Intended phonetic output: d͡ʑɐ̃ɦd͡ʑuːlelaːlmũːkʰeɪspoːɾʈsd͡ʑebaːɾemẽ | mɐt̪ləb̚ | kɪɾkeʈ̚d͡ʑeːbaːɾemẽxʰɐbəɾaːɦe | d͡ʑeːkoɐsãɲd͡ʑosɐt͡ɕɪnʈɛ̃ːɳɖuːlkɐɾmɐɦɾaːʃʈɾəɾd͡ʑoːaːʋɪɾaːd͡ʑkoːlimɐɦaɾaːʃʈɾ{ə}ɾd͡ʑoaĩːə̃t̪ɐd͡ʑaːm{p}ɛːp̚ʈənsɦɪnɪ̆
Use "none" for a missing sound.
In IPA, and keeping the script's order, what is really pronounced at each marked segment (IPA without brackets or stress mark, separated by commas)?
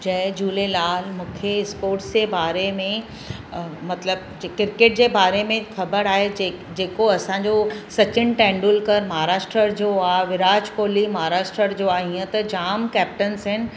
ə, k